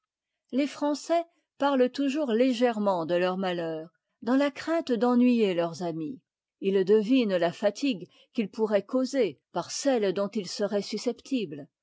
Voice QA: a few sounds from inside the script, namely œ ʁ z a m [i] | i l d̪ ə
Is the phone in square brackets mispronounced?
no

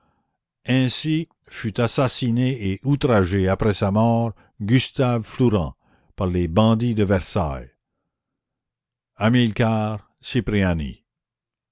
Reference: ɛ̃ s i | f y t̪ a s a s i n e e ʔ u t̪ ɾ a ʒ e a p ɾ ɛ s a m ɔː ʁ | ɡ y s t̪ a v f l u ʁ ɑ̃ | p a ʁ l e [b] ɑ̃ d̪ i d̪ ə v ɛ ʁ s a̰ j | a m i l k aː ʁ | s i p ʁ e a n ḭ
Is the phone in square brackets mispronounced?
no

